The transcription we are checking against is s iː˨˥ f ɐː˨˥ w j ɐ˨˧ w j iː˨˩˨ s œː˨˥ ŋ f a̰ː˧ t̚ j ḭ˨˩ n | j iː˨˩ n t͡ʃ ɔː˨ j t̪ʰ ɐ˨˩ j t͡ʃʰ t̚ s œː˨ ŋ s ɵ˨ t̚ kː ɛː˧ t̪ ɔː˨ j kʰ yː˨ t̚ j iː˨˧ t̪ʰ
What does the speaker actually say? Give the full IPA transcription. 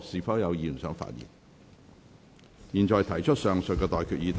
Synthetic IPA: s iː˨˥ f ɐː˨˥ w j ɐ˨˧ w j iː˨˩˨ s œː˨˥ ŋ f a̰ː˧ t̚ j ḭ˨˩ n | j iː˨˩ n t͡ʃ ɔː˨ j t̪ʰ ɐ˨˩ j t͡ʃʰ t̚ s œː˨ ŋ s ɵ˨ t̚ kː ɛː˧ t̪ ɔː˨ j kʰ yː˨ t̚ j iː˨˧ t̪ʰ